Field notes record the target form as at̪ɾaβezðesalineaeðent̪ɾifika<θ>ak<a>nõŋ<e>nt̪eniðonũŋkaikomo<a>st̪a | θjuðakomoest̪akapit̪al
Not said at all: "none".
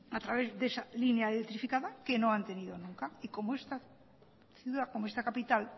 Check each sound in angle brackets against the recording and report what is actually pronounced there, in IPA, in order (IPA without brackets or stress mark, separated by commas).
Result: ð, e, a, e